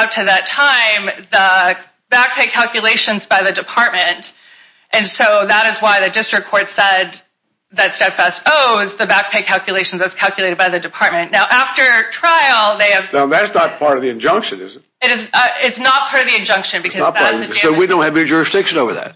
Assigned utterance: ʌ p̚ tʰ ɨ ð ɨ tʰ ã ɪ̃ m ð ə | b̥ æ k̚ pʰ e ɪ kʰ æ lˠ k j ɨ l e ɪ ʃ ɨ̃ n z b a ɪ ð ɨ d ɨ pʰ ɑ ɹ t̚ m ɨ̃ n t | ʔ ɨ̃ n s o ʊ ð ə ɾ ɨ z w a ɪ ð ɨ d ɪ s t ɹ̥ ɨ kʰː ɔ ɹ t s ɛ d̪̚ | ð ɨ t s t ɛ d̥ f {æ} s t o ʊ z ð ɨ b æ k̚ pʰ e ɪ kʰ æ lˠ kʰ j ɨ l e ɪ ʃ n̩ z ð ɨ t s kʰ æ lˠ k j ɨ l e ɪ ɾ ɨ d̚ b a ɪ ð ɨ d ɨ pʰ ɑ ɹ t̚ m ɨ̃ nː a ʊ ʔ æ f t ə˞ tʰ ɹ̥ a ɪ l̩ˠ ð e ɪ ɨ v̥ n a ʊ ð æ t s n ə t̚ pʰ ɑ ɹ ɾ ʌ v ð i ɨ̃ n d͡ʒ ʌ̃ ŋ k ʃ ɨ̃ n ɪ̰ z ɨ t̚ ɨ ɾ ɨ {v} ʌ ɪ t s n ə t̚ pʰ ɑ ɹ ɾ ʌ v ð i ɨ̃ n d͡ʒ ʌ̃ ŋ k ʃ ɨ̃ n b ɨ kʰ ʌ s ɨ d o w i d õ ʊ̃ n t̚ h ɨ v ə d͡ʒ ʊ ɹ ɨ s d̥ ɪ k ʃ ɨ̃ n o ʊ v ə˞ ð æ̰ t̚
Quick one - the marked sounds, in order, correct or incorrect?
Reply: correct, incorrect

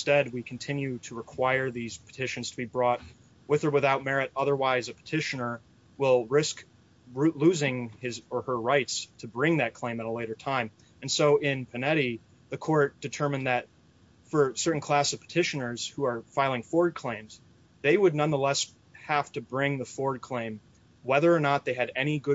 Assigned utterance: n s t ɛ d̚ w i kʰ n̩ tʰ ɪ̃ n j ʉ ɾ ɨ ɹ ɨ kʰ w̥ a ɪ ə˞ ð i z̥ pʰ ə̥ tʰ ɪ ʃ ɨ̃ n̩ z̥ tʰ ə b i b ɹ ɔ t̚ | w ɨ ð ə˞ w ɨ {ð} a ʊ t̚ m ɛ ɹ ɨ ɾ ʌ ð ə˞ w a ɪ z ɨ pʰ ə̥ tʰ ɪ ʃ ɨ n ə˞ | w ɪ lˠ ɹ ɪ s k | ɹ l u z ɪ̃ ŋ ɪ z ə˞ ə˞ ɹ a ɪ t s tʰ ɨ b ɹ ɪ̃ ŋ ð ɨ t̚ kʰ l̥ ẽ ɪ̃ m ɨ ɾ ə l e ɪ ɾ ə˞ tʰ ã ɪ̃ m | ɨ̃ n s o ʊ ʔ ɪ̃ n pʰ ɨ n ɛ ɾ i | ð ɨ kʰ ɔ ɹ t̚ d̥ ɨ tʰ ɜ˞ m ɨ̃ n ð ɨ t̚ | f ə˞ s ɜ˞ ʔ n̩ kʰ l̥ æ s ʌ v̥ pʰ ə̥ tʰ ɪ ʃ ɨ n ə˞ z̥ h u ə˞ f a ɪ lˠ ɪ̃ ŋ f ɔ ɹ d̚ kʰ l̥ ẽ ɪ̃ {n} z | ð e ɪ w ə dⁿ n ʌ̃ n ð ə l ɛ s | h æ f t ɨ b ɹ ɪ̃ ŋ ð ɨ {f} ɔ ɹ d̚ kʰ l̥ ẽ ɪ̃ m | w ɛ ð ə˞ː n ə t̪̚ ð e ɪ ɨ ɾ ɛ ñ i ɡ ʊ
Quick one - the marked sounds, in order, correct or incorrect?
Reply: incorrect, incorrect, correct

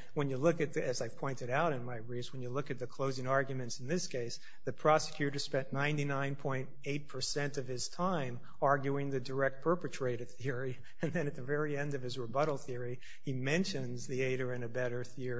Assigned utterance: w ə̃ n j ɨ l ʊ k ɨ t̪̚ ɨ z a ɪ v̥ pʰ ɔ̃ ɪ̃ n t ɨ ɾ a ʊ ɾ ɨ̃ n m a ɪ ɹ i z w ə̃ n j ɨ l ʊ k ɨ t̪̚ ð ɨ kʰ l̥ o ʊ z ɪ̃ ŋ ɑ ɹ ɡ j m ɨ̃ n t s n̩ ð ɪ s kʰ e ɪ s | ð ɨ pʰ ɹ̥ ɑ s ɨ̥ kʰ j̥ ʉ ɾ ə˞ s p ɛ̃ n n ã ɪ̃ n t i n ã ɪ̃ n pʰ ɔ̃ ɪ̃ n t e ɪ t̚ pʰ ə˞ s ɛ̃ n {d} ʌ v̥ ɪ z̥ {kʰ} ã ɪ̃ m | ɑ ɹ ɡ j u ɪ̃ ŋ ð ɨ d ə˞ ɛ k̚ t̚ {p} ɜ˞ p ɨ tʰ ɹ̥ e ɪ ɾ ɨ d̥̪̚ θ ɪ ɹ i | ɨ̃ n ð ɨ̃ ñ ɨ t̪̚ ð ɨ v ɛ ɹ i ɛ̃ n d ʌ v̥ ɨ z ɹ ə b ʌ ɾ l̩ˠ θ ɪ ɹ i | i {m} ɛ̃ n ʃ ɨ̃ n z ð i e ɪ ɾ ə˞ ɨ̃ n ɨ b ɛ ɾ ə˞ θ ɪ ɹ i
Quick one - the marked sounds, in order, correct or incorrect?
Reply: incorrect, incorrect, incorrect, correct

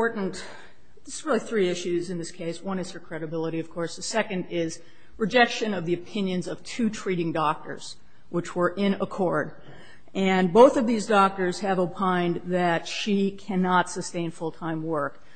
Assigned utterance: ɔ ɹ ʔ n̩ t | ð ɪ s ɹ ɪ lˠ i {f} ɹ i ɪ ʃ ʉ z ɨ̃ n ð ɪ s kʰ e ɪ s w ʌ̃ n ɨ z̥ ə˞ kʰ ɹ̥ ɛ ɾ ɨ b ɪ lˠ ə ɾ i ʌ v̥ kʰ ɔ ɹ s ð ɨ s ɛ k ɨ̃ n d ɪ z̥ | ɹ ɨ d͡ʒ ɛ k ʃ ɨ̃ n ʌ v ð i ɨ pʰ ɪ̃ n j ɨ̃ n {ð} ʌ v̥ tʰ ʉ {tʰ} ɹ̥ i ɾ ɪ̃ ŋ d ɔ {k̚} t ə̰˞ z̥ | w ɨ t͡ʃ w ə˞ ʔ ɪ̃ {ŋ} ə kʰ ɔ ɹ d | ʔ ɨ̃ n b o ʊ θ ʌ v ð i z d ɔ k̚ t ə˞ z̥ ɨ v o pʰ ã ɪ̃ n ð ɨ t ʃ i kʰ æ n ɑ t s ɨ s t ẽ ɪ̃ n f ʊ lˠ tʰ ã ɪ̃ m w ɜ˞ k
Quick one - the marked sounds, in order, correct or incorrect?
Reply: incorrect, incorrect, correct, correct, incorrect

